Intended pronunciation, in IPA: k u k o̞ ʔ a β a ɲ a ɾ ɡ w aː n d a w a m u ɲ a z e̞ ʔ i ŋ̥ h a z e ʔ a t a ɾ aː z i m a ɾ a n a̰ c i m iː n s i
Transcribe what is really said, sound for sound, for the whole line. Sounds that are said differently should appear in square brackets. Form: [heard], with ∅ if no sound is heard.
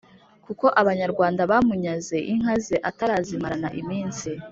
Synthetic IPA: k u k o̞ ʔ a β a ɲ a ɾ ɡ w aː n d a [β] a m u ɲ a z e̞ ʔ i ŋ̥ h a z e ʔ a t a ɾ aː z i m a ɾ a n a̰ [ʔ] i m iː n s i